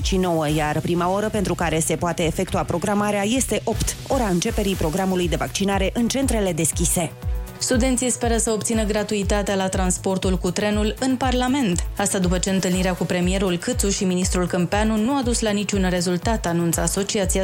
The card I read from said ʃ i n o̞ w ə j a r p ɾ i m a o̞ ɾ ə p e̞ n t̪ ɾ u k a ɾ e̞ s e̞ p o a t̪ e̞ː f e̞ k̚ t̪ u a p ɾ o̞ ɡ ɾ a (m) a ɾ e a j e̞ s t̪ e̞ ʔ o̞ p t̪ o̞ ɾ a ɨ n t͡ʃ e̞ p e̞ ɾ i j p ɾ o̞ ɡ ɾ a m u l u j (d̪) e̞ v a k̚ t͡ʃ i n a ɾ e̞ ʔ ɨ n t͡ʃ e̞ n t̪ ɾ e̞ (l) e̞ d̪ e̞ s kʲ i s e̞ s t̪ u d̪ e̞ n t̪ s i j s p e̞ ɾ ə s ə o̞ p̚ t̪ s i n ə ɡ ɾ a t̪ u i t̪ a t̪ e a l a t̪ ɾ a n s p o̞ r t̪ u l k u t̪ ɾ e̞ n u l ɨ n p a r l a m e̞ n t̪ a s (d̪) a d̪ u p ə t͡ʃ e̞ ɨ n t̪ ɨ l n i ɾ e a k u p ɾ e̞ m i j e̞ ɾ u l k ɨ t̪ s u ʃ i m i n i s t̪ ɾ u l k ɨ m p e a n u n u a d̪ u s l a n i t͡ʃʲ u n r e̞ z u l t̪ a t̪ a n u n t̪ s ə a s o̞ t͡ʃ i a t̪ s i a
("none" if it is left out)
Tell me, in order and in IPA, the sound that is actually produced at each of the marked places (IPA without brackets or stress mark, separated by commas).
m, d̪, l, t̪